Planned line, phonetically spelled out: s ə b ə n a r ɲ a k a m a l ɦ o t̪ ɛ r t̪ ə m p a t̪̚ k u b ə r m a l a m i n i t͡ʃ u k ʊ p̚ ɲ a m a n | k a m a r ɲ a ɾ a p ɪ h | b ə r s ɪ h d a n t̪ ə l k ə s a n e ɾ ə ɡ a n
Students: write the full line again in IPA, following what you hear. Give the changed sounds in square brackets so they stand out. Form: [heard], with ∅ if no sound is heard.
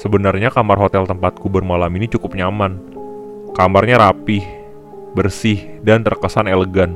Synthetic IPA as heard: s ə b ə n a r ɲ a k a m a [r] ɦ o t̪ ɛ [l] t̪ ə m p a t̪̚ k u b ə r m a l a m i n i t͡ʃ u k ʊ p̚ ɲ a m a n | k a m a r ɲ a ɾ a p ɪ h | b ə r s ɪ h d a n t̪ ə [r] k ə s a n e [l] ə ɡ a n